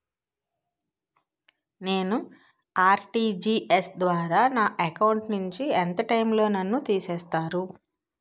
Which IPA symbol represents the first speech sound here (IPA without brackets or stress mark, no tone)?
n